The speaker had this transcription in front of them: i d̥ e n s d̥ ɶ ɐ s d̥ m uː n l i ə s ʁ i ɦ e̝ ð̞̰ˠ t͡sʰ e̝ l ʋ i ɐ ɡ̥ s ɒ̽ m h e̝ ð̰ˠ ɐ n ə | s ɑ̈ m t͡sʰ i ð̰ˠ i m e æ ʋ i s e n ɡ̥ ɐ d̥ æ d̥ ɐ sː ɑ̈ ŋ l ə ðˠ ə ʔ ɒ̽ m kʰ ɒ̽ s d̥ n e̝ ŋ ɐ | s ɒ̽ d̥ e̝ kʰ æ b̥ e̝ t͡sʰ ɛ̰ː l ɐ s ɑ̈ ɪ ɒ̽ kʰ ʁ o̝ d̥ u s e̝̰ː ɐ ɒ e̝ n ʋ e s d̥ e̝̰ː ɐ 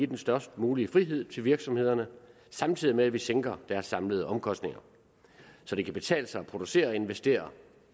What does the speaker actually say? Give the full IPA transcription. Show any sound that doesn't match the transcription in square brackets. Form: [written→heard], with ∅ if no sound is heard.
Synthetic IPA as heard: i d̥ e n s d̥ ɶ ɐ s d̥ m uː [n→∅] l i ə [s→f] ʁ i ɦ e̝ ð̞̰ˠ t͡sʰ e̝ l ʋ i ɐ ɡ̥ s ɒ̽ m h e̝ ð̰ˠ ɐ n ə | s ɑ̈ m t͡sʰ i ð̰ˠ i m e æ ʋ i s e [n→ŋ] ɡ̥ ɐ d̥ æ [d̥→∅] ɐ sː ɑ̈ [ŋ→m] l ə ðˠ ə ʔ ɒ̽ m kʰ ɒ̽ s d̥ n e̝ ŋ ɐ | s ɒ̽ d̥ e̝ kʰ æ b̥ e̝ t͡sʰ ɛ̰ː l [ɐ→ə] s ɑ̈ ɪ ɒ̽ [kʰ→pʰ] ʁ o̝ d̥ u s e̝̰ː ɐ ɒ e̝ n ʋ e s d̥ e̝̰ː ɐ

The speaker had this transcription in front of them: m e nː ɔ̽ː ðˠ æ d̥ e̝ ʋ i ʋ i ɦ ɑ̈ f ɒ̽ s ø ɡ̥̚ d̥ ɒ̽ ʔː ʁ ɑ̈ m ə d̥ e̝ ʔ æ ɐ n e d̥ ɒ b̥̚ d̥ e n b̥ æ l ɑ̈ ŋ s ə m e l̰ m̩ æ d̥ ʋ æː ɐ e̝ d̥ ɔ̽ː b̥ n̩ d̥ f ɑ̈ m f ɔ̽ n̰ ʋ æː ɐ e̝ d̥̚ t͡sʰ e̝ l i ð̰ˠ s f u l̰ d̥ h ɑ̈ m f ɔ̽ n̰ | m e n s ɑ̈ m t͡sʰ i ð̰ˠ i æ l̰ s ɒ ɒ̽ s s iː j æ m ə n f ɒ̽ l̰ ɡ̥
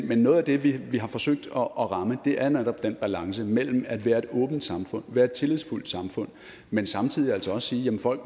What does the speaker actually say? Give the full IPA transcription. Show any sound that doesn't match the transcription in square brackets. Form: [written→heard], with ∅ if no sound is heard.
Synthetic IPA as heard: m e nː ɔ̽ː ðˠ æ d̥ e̝ ʋ i ʋ i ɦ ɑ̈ f ɒ̽ s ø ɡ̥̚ d̥ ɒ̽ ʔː ʁ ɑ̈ m ə d̥ e̝ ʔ æ ɐ n e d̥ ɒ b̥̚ d̥ e n b̥ æ l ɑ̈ ŋ s ə m e l̰ m̩ æ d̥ ʋ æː ɐ e̝ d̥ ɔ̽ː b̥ n̩ d̥ [f→s] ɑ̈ m f ɔ̽ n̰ ʋ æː ɐ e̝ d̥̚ t͡sʰ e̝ l i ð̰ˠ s f u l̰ d̥ [h→s] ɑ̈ m f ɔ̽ n̰ | m e n s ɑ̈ m t͡sʰ i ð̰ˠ i æ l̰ s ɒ ɒ̽ s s iː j æ m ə n f ɒ̽ l̰ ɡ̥

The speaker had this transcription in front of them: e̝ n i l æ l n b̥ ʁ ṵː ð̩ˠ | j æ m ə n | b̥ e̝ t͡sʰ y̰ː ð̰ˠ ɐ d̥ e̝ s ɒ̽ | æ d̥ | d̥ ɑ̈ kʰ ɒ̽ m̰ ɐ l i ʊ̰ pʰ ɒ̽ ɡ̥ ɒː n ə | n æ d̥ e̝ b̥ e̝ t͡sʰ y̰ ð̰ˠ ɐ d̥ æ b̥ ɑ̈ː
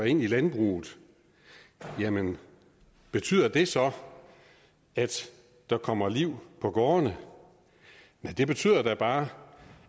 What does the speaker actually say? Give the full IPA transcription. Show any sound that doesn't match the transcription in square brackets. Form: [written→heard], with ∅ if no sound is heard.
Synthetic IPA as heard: e̝ n i l æ [l→∅] n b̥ ʁ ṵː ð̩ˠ | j æ m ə n | b̥ e̝ t͡sʰ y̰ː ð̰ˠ ɐ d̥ e̝ s ɒ̽ | æ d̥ | d̥ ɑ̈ kʰ ɒ̽ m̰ ɐ l i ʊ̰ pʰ ɒ̽ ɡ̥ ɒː n ə | n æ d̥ e̝ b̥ e̝ t͡sʰ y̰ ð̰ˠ ɐ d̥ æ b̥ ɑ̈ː

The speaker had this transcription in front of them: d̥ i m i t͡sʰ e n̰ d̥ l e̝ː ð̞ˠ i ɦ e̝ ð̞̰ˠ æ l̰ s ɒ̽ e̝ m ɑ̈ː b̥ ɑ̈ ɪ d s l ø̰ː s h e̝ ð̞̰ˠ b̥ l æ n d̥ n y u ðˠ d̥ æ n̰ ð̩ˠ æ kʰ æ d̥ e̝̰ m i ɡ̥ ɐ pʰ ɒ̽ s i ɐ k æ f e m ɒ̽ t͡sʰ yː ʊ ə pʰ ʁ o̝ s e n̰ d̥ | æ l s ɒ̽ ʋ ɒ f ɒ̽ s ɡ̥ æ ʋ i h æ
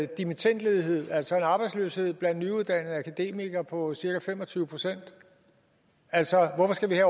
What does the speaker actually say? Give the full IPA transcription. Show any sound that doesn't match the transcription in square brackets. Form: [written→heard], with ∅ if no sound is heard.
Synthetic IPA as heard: d̥ i m i t͡sʰ e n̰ d̥ l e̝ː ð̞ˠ i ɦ e̝ ð̞̰ˠ æ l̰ s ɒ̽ e̝ [m→n] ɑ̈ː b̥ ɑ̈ ɪ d s l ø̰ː s h e̝ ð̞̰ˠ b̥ l æ n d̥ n y u ðˠ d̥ æ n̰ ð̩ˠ æ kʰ æ d̥ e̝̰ m i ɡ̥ ɐ pʰ ɒ̽ s i ɐ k æ f e m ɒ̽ t͡sʰ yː ʊ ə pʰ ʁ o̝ s e n̰ d̥ | æ l s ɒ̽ ʋ ɒ f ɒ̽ s ɡ̥ æ ʋ i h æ

